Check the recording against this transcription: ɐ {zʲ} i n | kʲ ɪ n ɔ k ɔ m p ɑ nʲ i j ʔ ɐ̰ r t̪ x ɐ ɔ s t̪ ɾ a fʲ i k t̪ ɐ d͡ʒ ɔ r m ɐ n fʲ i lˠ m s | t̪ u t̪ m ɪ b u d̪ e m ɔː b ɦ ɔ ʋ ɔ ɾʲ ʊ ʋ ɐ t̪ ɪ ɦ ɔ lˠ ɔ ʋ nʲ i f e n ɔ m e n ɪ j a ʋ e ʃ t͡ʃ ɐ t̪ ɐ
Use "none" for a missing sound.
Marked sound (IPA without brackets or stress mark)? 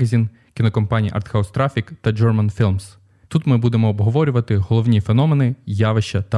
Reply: zʲ